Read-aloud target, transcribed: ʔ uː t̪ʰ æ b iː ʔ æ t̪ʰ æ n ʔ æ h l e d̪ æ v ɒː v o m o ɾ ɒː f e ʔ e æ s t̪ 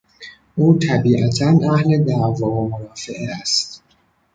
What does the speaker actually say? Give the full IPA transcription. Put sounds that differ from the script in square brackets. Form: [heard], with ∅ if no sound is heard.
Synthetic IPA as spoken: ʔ uː t̪ʰ æ b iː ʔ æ t̪ʰ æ n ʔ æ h l e d̪ æ v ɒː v o m o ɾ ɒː f e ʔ e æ s t̪